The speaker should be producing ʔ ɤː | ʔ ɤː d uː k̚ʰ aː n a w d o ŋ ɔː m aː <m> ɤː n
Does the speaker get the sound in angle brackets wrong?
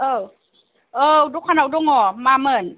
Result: no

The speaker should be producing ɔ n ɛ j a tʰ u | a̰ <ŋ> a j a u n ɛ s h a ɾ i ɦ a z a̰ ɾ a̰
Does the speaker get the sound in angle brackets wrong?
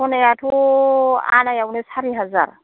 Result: yes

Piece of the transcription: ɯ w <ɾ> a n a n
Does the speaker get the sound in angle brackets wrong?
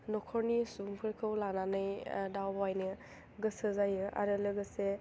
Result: yes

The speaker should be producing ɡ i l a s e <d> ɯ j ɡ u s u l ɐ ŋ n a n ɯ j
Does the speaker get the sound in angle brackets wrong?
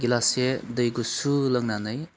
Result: no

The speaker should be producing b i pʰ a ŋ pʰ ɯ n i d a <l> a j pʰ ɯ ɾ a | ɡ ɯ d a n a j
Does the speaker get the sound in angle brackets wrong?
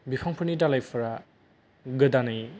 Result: no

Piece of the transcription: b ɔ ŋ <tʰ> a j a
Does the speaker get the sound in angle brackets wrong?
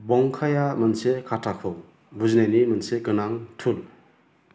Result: yes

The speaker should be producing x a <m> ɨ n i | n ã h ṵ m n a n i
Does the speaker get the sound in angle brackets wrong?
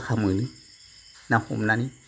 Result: no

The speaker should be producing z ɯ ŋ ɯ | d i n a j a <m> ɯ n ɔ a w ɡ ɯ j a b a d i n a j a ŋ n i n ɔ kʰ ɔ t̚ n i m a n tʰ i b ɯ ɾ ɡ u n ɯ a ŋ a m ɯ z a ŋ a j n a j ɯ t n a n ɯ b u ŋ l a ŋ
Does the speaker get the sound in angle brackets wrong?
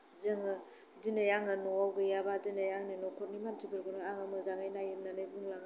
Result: yes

